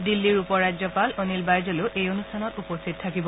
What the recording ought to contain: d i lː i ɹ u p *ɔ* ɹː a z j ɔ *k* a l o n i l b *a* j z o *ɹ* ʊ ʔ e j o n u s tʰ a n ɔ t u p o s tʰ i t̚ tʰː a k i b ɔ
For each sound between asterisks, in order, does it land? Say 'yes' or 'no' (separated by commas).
yes, no, yes, no